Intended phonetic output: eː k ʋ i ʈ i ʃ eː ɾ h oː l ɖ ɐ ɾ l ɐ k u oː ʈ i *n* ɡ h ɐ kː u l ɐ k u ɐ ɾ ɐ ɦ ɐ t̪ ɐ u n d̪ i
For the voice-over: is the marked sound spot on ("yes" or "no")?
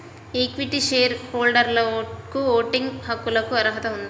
no